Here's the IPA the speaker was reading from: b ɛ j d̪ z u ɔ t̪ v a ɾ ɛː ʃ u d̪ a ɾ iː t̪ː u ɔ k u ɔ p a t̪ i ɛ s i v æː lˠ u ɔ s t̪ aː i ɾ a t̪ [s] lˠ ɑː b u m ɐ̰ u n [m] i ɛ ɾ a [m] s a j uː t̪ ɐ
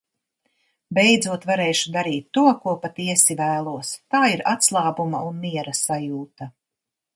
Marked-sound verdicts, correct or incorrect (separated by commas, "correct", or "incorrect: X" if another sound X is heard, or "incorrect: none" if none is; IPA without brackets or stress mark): correct, correct, incorrect: none